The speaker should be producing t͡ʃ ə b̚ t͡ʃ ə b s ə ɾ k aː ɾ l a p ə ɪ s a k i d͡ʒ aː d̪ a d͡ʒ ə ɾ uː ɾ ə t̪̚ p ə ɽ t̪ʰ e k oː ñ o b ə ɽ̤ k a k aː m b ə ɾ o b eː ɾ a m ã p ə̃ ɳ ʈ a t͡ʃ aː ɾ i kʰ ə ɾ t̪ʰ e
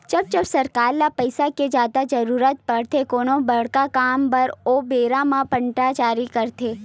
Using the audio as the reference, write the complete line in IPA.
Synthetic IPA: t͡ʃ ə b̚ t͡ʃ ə b s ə ɾ k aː ɾ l a p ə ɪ s a k e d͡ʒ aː d̪ a d͡ʒ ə ɾ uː ɾ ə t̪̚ p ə ɽ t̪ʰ e k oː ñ o b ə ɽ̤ k a k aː m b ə ɾ o b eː ɾ a m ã p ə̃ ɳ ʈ a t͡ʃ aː ɾ i k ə ɾ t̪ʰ e